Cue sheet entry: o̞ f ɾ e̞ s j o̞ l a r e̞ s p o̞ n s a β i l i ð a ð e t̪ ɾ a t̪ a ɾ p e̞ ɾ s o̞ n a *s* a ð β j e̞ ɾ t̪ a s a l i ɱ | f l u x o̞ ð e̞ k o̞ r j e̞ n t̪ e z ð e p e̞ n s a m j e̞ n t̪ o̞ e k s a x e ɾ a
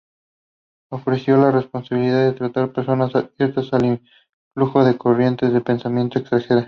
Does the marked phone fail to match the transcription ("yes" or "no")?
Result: no